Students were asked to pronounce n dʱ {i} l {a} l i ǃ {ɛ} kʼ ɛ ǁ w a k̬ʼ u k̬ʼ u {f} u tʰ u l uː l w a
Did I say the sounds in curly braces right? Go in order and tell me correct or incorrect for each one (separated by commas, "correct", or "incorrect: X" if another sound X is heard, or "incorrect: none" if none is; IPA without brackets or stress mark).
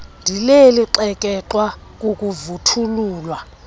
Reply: correct, incorrect: e, correct, incorrect: v